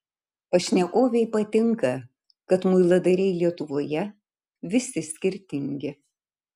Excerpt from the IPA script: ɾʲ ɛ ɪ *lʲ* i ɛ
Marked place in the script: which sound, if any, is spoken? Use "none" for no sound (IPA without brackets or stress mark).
lʲ